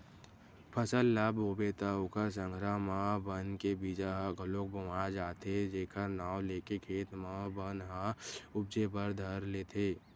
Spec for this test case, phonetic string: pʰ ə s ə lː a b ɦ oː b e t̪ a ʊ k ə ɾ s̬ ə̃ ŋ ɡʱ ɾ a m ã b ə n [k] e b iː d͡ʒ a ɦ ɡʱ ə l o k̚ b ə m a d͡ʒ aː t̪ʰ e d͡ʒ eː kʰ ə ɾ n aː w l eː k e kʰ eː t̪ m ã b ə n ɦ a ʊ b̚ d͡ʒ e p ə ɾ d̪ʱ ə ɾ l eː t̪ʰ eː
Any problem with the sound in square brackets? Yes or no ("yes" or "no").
no